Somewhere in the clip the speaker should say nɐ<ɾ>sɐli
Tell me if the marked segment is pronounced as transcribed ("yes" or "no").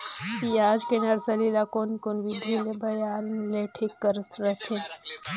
yes